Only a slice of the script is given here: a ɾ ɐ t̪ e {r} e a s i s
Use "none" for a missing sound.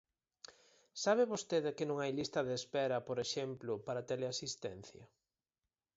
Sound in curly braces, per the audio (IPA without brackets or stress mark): l